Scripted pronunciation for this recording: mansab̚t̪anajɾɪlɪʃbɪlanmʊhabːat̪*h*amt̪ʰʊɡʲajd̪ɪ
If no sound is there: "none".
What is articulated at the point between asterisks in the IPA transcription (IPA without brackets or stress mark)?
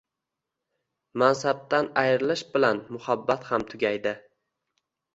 h